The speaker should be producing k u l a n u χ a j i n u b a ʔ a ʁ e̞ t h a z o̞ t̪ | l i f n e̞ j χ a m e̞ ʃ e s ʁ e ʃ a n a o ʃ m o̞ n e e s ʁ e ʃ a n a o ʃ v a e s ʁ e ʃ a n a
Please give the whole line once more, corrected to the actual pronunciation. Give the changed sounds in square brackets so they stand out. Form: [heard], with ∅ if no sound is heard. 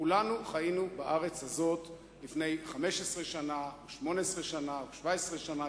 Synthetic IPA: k u l a n u χ a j i n u b a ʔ a ʁ e̞ [t͡s] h a z o̞ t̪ | l i f n e̞ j χ a m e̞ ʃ e s ʁ e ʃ a n a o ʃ m o̞ n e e s ʁ e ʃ a n a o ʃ v a e s ʁ e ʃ a n a